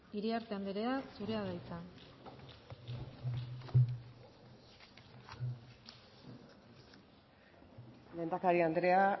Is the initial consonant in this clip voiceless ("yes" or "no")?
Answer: no